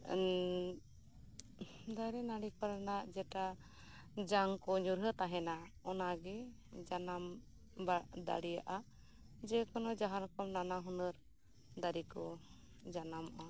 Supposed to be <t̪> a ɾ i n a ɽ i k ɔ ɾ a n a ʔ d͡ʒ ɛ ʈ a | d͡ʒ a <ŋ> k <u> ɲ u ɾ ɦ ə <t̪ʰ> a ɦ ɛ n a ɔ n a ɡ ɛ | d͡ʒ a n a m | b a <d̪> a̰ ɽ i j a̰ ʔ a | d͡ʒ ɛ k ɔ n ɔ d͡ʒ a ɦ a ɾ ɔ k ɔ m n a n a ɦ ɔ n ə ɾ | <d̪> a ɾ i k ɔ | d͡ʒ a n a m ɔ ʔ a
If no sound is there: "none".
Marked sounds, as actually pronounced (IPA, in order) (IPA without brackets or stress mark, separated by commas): d̪, ŋ, ɔ, t̪, d̪, d̪